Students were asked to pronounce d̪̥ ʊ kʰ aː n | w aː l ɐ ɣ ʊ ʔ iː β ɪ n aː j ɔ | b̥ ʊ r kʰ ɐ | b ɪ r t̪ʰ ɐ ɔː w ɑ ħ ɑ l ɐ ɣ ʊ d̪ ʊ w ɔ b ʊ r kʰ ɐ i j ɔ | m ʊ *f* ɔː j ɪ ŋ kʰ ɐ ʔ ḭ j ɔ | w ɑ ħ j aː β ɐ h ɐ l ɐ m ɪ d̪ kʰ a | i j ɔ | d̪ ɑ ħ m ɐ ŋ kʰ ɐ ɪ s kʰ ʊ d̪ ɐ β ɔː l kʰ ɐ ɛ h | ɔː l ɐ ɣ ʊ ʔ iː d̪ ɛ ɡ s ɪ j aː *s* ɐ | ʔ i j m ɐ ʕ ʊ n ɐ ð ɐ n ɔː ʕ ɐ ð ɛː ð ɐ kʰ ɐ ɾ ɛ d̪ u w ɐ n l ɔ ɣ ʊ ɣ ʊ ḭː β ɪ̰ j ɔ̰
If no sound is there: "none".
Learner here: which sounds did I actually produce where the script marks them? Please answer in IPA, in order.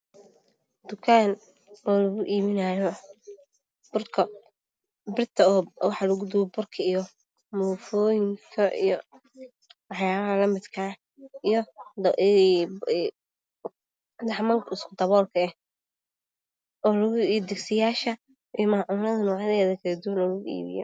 f, ʃ

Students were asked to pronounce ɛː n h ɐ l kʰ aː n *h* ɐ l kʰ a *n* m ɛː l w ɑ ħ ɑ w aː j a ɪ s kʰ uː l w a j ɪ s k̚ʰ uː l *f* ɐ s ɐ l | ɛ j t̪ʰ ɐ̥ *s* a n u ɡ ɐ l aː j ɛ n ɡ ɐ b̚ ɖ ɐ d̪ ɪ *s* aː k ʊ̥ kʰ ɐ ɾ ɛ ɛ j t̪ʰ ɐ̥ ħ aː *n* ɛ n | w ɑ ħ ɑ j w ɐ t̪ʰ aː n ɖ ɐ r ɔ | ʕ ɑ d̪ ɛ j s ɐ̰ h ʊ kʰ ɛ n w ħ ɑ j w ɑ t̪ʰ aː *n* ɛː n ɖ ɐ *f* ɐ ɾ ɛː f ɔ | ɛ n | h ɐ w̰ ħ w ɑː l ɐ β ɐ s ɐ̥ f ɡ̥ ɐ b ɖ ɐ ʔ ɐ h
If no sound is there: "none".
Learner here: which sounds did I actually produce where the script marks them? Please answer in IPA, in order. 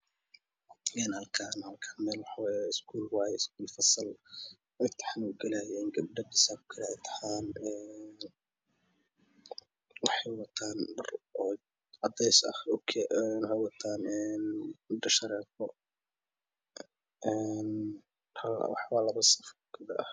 h, n, f, ħ, s, n, n, ʃ

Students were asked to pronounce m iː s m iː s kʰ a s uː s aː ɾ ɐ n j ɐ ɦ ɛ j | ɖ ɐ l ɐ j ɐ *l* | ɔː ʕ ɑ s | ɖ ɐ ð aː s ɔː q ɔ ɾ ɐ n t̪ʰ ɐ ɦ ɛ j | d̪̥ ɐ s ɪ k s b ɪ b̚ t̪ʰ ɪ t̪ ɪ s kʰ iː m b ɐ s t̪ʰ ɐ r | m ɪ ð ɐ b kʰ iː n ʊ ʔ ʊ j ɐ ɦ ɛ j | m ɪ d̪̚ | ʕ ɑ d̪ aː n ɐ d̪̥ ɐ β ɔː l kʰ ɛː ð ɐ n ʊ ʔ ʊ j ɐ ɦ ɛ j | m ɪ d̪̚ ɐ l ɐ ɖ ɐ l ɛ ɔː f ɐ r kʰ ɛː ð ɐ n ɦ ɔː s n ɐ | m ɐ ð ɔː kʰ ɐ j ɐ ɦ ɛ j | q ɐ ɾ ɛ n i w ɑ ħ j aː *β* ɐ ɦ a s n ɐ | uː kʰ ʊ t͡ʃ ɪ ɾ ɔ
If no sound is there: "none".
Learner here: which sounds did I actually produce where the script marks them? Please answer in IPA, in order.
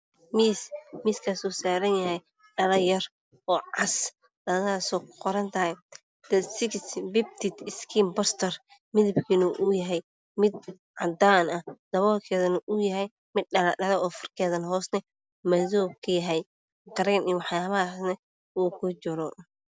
r, β

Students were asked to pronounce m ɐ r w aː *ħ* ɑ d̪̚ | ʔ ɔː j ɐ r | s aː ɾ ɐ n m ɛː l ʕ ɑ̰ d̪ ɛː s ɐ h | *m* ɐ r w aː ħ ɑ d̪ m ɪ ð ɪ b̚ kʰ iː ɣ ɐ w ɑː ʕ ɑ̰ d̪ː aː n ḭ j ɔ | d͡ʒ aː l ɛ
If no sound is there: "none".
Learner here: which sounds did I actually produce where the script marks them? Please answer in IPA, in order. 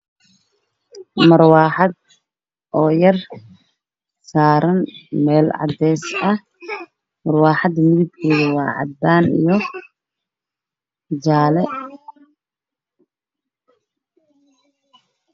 ħ, m

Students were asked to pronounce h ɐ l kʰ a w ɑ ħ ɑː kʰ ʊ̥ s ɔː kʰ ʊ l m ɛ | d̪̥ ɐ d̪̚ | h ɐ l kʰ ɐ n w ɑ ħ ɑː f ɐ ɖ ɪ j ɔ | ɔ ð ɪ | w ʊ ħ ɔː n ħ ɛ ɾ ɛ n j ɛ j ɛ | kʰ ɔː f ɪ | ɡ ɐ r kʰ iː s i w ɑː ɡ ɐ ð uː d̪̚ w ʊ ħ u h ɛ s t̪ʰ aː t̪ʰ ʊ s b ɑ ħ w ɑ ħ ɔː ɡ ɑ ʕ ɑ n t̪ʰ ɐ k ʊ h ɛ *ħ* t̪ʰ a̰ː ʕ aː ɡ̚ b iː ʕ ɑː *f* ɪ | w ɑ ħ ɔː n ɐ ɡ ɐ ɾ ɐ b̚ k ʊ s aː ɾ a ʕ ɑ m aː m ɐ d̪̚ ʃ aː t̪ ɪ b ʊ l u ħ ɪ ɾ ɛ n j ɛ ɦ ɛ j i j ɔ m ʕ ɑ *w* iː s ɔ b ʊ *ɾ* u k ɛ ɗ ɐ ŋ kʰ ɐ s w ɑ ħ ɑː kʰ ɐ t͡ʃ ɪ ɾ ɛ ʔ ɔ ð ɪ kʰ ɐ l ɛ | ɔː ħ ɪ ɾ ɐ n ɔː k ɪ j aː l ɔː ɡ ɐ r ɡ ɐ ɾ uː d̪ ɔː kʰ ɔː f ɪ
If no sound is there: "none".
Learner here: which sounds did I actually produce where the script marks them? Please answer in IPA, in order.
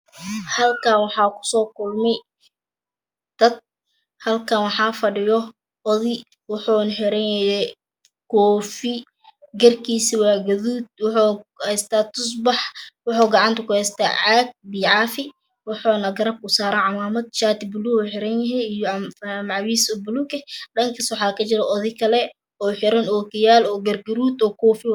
s, f, w, l

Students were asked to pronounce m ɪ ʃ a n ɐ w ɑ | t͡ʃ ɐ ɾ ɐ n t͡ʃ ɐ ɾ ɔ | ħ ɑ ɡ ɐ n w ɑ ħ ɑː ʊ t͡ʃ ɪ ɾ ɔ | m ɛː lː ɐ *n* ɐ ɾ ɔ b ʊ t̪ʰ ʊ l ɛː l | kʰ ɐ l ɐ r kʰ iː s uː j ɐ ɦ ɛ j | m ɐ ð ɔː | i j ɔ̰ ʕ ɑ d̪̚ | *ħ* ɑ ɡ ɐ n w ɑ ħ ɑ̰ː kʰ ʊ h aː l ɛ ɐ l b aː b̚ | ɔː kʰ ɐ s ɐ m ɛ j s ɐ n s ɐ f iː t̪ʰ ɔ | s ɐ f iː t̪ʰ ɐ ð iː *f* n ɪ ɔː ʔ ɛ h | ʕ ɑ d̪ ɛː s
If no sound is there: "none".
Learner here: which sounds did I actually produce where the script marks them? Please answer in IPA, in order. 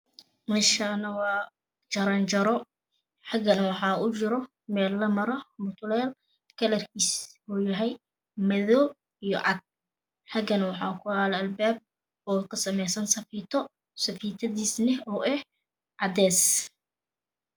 m, ħ, s

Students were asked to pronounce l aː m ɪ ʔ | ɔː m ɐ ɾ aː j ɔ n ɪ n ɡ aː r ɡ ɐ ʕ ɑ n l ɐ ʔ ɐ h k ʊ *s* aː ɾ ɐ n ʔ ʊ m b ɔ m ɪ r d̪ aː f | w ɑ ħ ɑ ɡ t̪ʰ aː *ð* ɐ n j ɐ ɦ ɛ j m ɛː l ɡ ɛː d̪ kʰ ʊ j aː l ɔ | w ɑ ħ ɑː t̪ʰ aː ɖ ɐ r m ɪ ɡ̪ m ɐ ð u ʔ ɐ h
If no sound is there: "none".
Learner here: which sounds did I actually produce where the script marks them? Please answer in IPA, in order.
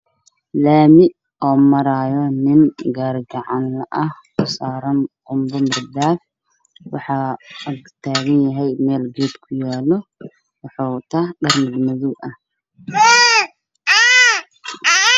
s, ɣ

